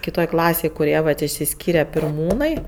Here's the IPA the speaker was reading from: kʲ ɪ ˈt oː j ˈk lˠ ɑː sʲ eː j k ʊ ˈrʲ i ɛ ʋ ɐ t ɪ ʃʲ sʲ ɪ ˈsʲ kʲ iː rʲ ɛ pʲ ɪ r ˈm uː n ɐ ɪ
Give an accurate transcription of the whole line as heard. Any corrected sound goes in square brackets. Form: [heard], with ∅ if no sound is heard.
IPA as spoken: kʲ ɪ ˈt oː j ˈk lˠ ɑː sʲ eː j k ʊ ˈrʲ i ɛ ʋ ɐ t ɪ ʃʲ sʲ ɪ ˈsʲ kʲ iː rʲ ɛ pʲ ɪ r ˈm uː n ɐ ɪ